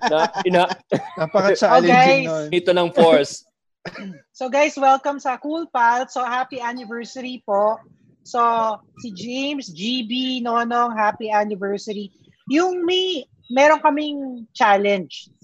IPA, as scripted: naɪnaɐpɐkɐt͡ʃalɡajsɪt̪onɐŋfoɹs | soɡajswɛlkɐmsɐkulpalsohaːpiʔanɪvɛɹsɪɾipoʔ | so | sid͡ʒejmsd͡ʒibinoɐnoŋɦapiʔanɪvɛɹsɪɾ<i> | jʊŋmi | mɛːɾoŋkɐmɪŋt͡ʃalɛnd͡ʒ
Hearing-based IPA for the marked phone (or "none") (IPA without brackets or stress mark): i